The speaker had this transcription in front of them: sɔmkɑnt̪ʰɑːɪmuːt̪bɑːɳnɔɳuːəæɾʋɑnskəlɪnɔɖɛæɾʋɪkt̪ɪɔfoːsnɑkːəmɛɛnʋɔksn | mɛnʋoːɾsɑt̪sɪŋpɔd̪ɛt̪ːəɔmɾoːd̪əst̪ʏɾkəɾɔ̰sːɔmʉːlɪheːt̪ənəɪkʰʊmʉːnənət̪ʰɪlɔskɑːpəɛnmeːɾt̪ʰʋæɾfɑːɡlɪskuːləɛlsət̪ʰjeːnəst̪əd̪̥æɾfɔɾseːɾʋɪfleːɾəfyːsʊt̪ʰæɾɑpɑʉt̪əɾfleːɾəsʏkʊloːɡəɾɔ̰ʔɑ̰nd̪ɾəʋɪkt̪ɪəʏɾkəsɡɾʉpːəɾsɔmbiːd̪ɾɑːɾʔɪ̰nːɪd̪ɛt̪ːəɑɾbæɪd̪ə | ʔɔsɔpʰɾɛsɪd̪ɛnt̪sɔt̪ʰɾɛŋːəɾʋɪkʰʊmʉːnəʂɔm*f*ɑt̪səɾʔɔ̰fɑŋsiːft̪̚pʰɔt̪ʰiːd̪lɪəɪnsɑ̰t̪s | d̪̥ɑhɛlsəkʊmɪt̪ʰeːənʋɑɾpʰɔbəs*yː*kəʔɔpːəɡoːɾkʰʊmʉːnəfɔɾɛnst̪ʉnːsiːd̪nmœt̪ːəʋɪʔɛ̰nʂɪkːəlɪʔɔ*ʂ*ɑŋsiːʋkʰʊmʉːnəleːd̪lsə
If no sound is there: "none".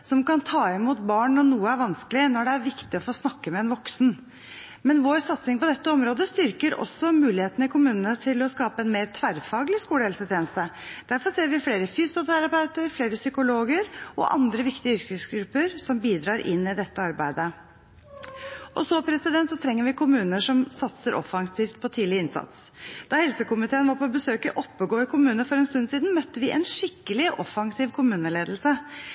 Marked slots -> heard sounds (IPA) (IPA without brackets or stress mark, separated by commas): s, øː, f